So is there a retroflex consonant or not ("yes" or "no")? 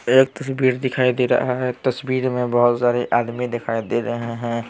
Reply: no